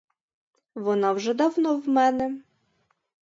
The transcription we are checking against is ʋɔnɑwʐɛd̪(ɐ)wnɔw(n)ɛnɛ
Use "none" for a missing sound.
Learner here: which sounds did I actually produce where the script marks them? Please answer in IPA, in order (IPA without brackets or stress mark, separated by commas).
ɑ, m